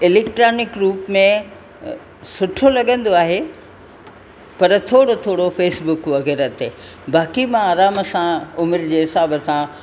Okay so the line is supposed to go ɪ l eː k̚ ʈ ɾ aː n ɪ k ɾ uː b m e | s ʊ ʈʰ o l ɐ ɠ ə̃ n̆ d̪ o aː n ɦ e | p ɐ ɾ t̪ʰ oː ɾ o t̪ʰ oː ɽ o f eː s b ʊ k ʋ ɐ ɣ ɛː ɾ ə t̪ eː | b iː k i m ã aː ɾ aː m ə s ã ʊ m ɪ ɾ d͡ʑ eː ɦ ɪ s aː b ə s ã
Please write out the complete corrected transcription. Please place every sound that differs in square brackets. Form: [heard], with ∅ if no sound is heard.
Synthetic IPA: ɪ l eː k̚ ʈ ɾ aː n ɪ k ɾ uː [p] m [ẽ] | s ʊ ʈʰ o l ɐ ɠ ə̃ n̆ d̪ o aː [∅] ɦ e | p ɐ ɾ t̪ʰ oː [ɽ] o t̪ʰ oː ɽ o f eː s b ʊ k ʋ ɐ ɣ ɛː ɾ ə t̪ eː | b [aː] k i m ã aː ɾ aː m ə s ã ʊ m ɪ ɾ d͡ʑ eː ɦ ɪ s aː b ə s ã

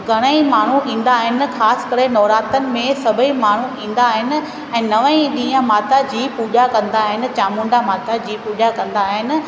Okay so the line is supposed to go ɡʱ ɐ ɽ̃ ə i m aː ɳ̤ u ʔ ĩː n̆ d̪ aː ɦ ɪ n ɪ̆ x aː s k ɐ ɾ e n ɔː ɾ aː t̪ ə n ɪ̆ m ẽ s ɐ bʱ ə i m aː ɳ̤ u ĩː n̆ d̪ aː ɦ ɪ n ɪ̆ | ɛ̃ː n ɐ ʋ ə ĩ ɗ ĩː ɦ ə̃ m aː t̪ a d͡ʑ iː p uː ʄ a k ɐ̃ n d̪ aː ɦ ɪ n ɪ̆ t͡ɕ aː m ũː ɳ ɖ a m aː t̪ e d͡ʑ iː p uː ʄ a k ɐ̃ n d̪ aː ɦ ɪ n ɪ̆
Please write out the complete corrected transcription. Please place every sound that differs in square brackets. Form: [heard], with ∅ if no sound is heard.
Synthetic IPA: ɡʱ ɐ ɽ̃ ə i m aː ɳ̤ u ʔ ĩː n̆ d̪ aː ɦ ɪ n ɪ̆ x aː s k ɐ ɾ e n ɔː ɾ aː t̪ ə n ɪ̆ m ẽ s ɐ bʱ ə i m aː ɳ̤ u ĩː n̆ d̪ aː ɦ ɪ n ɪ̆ | ɛ̃ː n ɐ ʋ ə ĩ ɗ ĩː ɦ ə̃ m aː t̪ a d͡ʑ iː p uː ʄ a k ɐ̃ n d̪ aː ɦ ɪ n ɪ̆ t͡ɕ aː m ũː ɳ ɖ a m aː t̪ [a] d͡ʑ iː p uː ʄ a k ɐ̃ n d̪ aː ɦ ɪ n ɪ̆

